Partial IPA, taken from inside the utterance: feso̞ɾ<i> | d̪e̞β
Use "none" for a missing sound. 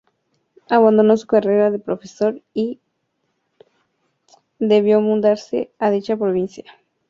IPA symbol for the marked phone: i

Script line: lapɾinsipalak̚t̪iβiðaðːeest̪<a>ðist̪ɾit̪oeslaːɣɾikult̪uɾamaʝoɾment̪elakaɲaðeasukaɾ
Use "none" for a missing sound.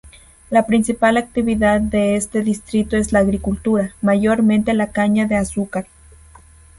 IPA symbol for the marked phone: e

